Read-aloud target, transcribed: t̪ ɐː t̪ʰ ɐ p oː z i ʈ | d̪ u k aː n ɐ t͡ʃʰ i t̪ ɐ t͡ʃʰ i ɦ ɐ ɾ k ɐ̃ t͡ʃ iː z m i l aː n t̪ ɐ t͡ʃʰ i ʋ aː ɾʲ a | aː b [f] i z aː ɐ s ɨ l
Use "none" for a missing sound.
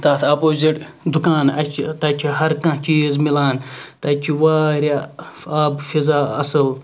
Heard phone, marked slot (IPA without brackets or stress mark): f